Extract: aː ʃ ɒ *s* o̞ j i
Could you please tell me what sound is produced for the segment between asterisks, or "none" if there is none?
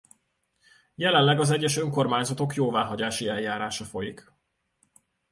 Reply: f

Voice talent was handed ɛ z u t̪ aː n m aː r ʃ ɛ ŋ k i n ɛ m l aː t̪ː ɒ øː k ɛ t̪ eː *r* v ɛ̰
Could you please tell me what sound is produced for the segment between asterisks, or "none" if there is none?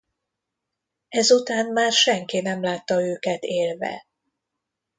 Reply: l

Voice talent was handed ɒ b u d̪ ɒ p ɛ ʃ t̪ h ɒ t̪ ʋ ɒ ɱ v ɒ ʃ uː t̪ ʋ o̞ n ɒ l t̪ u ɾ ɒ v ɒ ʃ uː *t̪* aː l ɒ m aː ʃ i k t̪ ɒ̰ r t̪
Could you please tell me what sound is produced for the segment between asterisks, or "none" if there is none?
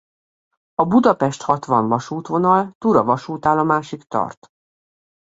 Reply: t̪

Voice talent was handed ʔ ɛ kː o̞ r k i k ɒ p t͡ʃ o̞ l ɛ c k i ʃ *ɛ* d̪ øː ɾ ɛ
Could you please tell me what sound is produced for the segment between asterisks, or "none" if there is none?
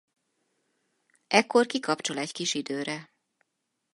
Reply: i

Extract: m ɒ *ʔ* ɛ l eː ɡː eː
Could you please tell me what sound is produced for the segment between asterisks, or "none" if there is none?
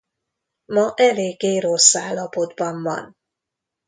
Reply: ʔ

